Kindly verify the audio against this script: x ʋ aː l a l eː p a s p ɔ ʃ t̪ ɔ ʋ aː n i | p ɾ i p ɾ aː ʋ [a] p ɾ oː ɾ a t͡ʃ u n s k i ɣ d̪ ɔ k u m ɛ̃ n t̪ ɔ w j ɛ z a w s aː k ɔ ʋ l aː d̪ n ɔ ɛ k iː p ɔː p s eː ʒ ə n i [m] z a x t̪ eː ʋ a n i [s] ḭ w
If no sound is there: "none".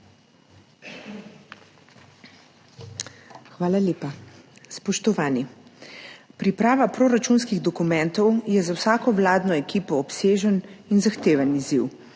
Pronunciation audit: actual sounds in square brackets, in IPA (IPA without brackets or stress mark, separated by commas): a, n, z